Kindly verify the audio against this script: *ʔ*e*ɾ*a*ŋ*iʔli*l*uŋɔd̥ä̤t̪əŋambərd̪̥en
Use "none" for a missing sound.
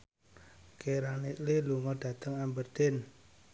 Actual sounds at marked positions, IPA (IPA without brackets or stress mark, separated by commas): k, ɾ, n, l